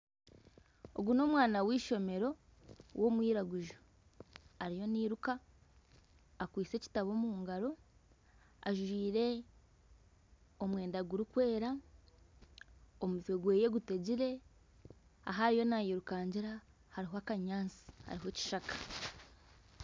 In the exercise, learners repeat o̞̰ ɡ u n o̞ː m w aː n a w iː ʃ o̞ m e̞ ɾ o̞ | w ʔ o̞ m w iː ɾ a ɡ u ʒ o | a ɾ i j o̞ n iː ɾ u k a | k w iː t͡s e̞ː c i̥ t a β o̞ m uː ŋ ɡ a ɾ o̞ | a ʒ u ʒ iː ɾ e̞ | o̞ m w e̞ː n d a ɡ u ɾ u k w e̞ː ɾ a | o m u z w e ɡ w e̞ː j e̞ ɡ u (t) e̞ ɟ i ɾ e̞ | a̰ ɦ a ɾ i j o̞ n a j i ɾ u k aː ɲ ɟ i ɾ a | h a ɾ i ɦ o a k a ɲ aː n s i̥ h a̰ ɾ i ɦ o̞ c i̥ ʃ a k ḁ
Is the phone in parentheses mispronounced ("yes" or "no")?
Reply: no